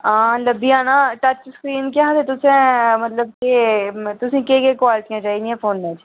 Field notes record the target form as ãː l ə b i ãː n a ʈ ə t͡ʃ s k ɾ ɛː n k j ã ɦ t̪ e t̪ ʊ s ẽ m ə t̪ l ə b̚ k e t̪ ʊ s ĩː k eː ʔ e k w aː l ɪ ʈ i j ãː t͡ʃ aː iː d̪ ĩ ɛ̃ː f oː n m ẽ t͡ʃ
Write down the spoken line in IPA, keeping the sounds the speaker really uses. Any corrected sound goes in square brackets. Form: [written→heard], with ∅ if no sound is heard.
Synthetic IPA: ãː l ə b i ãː n a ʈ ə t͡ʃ s k ɾ [ɛː→iː] n k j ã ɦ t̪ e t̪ ʊ s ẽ m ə t̪ l ə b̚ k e t̪ ʊ s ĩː k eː [ʔ→k] e k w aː l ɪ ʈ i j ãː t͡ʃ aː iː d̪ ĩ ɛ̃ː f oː n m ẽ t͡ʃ